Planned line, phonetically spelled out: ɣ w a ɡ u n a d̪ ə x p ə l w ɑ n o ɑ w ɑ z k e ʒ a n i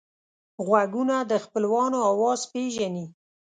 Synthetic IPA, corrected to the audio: ɣ w a ɡ u n a d̪ ə x p ə l w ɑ n o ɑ w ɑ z p e ʒ a n i